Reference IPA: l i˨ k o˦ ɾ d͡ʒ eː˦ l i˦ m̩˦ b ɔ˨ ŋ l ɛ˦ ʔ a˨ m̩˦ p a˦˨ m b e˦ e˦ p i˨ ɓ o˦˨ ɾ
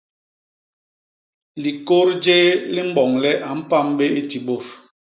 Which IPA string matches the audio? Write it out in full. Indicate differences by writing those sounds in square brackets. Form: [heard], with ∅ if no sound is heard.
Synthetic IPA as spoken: l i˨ k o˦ ɾ d͡ʒ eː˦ l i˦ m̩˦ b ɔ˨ ŋ l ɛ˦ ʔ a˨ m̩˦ p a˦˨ m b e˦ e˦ [t] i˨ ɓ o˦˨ ɾ